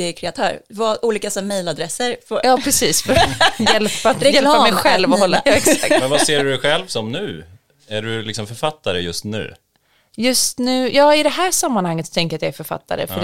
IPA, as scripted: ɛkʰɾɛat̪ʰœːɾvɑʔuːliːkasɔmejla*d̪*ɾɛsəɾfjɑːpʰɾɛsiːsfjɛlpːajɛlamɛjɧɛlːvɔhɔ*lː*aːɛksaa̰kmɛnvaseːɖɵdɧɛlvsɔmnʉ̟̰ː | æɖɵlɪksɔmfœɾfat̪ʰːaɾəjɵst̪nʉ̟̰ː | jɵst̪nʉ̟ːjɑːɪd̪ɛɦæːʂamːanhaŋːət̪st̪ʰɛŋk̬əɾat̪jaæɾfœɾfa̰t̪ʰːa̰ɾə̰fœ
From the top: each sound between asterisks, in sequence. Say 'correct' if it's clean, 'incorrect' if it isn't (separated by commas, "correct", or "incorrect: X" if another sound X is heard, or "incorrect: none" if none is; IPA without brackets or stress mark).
correct, correct